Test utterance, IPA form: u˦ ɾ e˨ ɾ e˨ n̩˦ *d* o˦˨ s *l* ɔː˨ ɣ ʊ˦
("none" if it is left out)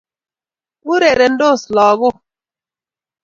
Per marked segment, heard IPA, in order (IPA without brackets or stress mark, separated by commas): d, l